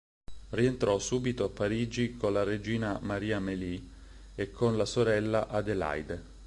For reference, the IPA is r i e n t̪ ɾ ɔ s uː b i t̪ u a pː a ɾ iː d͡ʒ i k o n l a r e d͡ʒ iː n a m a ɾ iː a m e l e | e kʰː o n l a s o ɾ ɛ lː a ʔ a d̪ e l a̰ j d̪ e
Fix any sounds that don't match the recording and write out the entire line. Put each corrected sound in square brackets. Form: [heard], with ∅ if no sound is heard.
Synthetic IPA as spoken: r i e n t̪ ɾ ɔ s uː b i t̪ [o] a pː a ɾ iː d͡ʒ i k o n l a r e d͡ʒ iː n a m a ɾ iː a m e l [i] | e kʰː o n l a s o ɾ ɛ lː a ʔ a d̪ e l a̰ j d̪ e